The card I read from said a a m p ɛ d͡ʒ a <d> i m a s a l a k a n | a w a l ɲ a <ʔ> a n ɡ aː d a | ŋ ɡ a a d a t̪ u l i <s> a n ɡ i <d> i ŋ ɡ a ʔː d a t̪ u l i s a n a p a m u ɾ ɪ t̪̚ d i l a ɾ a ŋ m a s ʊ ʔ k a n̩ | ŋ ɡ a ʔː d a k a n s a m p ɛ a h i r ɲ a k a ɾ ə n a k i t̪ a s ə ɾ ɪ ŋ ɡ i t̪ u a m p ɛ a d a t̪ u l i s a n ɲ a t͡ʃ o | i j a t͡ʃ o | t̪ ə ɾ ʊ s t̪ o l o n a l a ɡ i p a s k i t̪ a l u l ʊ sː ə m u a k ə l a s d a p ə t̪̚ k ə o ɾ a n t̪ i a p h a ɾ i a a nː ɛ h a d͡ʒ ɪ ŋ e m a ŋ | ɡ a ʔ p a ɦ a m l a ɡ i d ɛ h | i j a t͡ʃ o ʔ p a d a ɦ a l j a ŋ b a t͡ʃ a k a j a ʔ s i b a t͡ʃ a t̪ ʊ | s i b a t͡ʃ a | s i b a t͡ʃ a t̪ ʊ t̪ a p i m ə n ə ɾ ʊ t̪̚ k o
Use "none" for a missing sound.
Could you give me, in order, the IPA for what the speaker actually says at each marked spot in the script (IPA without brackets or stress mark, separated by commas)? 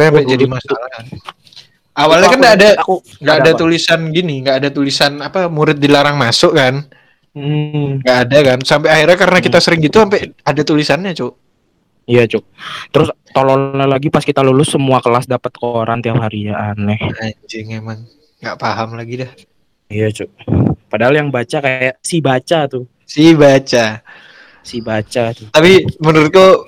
d, k, s, n